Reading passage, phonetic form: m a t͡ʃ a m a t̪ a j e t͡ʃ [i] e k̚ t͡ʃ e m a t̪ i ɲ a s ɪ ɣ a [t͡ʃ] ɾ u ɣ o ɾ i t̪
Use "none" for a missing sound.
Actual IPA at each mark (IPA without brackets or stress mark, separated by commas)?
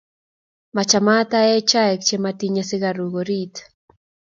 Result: a, none